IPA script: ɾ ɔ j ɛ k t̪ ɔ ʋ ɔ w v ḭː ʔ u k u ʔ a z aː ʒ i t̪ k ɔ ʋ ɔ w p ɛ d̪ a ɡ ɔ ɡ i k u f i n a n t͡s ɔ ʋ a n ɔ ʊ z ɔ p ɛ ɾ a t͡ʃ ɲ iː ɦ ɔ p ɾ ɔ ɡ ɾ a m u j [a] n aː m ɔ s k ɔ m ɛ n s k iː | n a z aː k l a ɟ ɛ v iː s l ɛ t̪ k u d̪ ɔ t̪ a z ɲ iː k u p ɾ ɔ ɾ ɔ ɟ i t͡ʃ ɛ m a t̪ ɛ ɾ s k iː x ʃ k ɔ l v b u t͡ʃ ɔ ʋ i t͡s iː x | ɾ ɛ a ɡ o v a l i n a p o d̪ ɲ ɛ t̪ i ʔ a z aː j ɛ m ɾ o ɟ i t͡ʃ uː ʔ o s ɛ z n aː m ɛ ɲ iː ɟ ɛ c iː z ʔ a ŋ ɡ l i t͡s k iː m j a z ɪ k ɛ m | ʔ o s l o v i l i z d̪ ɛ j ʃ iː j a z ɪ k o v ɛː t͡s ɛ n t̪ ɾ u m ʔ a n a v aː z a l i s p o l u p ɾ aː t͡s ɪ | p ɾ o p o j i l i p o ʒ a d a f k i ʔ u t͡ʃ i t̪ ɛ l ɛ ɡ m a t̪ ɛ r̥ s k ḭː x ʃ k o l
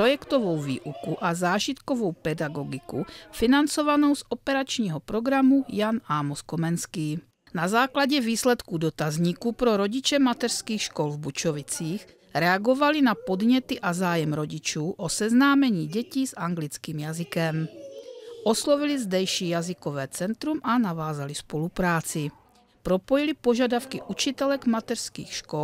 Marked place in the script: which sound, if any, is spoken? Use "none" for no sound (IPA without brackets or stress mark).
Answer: a